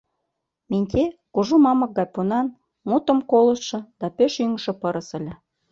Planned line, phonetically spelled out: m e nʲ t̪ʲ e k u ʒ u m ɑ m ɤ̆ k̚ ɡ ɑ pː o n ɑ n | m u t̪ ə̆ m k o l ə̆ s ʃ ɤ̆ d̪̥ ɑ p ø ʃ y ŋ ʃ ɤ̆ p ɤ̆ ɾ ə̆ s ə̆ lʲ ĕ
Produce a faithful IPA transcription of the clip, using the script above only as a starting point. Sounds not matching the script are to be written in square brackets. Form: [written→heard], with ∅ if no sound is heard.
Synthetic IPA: m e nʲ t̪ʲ e k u ʒ u m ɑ m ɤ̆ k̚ ɡ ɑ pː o n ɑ n | m u t̪ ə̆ m k o l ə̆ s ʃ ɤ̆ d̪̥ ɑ p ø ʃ y ŋ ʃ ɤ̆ p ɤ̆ ɾ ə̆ s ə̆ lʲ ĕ